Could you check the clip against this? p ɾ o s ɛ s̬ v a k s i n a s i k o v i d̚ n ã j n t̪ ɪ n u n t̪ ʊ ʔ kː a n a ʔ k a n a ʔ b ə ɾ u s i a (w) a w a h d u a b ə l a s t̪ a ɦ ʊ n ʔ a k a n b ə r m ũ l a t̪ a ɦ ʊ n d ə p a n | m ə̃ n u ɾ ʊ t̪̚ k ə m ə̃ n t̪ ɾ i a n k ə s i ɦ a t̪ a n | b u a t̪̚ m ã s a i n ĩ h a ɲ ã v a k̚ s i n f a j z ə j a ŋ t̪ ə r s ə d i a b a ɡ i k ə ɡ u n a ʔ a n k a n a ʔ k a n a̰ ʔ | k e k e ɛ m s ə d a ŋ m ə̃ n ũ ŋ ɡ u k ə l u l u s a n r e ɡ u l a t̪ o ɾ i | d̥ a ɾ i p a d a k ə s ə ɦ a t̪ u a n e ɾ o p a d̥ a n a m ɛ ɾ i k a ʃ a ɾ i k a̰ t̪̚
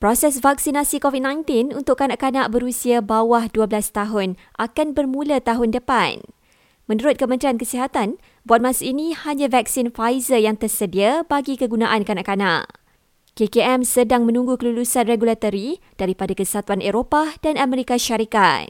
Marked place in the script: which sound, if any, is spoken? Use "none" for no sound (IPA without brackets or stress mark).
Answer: b